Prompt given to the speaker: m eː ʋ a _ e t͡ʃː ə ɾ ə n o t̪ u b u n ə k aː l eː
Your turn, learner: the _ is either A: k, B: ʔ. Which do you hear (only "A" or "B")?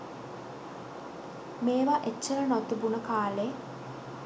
B